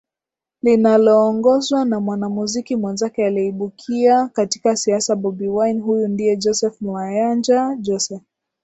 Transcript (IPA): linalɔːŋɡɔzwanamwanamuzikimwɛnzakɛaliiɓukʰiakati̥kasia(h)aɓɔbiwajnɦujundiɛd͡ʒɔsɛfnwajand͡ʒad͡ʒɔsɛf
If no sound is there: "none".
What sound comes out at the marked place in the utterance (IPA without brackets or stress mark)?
s